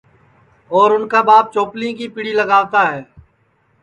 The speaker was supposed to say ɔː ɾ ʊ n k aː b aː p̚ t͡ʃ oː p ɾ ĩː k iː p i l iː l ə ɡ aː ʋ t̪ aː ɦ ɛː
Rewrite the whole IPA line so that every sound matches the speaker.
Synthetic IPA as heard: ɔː ɾ ʊ n k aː b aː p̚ t͡ʃ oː p l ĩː k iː p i ɽ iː l ə ɡ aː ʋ t̪ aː ɦ ɛː